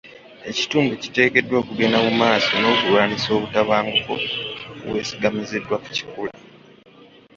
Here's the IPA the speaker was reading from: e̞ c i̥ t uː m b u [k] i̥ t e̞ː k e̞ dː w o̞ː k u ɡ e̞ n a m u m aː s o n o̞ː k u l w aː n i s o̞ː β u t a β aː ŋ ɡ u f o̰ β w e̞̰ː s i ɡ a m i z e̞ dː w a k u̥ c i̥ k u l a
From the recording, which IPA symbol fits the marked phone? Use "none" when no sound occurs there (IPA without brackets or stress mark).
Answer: c